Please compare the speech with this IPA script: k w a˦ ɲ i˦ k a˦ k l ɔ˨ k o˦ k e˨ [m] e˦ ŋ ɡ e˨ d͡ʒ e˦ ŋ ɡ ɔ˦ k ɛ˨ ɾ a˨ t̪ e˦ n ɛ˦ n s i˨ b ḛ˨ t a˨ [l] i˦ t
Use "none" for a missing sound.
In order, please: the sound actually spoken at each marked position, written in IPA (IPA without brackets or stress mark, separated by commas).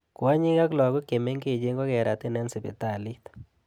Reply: m, l